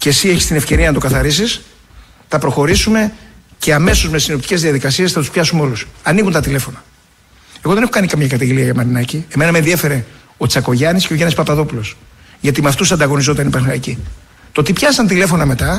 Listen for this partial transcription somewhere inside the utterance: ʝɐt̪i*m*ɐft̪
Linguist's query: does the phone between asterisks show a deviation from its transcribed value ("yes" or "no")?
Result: no